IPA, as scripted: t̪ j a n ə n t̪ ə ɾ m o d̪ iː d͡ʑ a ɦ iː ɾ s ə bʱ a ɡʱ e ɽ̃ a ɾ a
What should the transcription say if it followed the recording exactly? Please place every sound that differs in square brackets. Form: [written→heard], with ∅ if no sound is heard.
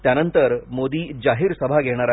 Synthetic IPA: t̪ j a n ə n t̪ ə ɾ m o d̪ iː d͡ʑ a ɦ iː ɾ s ə bʱ a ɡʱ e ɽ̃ a ɾ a